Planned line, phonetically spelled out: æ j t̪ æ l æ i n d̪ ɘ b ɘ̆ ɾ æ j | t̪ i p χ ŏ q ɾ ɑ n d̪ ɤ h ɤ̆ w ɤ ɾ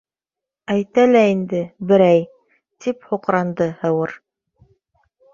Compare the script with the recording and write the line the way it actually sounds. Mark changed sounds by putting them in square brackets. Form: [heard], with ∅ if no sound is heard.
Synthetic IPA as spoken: æ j t̪ æ l æ i n d̪ ɘ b ɘ̆ ɾ æ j | t̪ i p [h] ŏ q ɾ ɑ n d̪ ɤ h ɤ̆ w ɤ ɾ